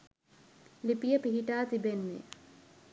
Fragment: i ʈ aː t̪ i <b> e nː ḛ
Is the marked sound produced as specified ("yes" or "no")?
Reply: yes